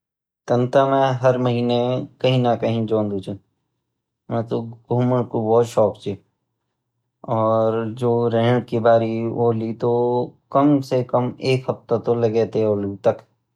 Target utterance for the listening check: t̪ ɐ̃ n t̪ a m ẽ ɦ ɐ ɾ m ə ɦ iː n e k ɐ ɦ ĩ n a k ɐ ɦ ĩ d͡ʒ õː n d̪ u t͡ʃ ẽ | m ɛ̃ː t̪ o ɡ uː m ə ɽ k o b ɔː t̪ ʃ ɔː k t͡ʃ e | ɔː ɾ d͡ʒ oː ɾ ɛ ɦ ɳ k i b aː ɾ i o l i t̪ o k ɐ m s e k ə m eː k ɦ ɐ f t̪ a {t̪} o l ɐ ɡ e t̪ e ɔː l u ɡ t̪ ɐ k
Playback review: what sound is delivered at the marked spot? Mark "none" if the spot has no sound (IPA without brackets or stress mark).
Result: t̪